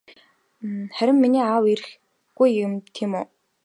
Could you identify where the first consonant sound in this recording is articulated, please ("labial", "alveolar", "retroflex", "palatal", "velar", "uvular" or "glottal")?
uvular